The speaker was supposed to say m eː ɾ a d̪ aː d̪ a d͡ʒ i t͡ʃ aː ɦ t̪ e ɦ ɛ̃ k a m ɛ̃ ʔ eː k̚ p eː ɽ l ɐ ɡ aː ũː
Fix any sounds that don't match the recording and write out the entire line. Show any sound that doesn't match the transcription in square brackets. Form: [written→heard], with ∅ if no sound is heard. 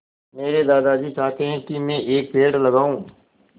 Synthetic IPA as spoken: m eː ɾ [a→e] d̪ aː d̪ a d͡ʒ i t͡ʃ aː ɦ t̪ e ɦ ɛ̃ k [a→i] m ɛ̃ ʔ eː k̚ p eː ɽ l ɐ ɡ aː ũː

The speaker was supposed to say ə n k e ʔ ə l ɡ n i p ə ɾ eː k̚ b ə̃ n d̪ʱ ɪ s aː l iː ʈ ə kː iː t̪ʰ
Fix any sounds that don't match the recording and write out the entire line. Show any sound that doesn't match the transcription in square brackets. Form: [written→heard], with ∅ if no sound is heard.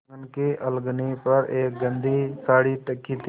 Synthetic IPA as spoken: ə n k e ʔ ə l ɡ n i p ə ɾ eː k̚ [b→ɡ] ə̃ n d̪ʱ [ɪ→i] s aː [l→ɽ] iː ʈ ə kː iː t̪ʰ

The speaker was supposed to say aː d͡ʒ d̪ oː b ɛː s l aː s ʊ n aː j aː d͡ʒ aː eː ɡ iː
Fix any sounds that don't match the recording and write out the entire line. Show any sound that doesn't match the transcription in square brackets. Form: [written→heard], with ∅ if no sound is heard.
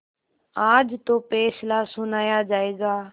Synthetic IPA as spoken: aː d͡ʒ [d̪→t̪] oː [b→p] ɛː s l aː s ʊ n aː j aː d͡ʒ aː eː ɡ [iː→aː]

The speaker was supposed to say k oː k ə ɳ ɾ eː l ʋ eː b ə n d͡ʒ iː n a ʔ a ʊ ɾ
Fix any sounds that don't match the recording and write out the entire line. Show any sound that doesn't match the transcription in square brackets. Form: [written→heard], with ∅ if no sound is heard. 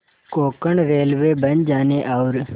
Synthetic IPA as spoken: k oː k ə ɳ ɾ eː l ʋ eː b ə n d͡ʒ [iː→aː] n [a→e] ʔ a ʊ ɾ

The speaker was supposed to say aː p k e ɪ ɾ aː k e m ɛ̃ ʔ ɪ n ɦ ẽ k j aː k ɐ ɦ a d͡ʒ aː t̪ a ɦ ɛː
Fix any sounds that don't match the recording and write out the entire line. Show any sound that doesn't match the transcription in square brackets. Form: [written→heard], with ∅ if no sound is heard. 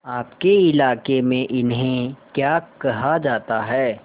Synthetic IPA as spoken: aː p k e ɪ [ɾ→l] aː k e m [ɛ̃→ẽ] ʔ ɪ n ɦ ẽ k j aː k ɐ ɦ a d͡ʒ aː t̪ a ɦ ɛː

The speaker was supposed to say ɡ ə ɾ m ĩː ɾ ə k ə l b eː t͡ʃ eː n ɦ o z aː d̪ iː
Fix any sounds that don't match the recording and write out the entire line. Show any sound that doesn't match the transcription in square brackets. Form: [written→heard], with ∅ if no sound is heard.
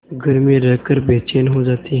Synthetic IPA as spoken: ɡ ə ɾ m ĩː ɾ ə k ə [l→ɾ] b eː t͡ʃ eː n ɦ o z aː [d̪→t̪] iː

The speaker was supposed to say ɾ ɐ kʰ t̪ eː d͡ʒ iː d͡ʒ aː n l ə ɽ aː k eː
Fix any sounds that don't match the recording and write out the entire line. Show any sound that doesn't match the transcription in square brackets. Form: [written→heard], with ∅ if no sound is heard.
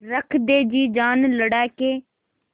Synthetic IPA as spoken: ɾ [ɐ→ə] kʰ [t̪→d̪] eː d͡ʒ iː d͡ʒ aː n l ə ɽ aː k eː

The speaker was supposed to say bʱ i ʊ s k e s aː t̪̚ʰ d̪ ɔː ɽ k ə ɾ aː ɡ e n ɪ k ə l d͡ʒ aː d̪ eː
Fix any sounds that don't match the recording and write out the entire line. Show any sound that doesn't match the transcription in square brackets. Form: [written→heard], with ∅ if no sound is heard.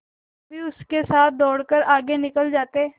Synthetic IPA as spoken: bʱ i ʊ s k e s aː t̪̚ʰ d̪ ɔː ɽ k ə ɾ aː ɡ e n ɪ k ə l d͡ʒ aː [d̪→t̪] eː

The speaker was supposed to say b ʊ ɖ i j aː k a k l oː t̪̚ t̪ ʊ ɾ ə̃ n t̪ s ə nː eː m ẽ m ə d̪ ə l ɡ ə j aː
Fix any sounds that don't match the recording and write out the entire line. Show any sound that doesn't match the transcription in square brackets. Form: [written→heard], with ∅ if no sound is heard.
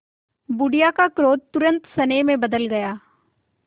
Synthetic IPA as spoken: b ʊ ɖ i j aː k a k [l→ɾ] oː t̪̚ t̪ ʊ ɾ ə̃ n t̪ s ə [nː→n] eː m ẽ [m→b] ə d̪ ə l ɡ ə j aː

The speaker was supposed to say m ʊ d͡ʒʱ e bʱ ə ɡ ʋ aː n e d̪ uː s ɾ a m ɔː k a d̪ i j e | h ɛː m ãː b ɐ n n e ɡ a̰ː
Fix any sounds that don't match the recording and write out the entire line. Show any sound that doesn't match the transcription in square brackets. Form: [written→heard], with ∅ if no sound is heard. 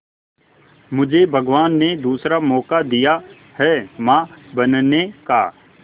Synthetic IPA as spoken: m ʊ d͡ʒʱ e bʱ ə ɡ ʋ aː [n→nː] e d̪ uː s ɾ a m ɔː k a d̪ i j [e→a] | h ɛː m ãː b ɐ n n e [ɡ→k] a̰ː

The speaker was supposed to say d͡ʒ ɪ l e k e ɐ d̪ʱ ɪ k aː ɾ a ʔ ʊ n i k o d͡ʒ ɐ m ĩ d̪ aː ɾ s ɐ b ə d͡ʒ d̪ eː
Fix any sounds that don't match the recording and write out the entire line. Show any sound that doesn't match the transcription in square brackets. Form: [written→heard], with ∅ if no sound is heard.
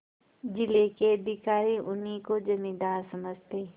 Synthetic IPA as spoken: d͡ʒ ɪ l e k e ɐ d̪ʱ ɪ k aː ɾ [a→i] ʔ ʊ n i k o d͡ʒ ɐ m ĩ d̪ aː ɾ s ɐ [b→m] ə d͡ʒ [d̪→t̪] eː

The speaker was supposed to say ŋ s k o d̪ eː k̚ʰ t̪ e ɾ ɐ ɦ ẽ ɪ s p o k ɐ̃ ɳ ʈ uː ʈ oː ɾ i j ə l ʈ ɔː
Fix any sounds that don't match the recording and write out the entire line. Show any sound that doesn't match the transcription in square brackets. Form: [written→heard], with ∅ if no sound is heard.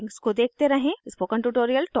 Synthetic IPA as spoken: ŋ s k o d̪ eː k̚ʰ t̪ e ɾ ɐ ɦ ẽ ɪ s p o k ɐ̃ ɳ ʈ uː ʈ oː ɾ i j ə l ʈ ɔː

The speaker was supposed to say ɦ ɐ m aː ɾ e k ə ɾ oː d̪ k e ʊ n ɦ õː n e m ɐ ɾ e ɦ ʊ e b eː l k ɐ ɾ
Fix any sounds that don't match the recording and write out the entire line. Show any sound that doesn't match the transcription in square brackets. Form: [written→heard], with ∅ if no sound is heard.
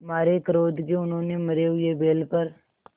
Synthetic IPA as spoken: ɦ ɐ m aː ɾ e k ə ɾ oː d̪ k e ʊ n ɦ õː n e m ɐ ɾ e ɦ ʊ e b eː l [k→p] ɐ ɾ

